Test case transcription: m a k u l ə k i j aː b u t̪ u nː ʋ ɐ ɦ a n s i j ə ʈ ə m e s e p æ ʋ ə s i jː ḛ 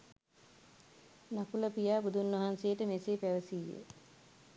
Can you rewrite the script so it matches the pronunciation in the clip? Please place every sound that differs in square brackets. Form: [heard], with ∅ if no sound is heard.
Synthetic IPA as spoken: [n] a k u l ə [p] i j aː b u [d̪] u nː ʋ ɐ ɦ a n s [e] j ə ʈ ə m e s e p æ ʋ ə s i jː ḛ